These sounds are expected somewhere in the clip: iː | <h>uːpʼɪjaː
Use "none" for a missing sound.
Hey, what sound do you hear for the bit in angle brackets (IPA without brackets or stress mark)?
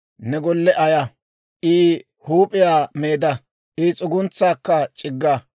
h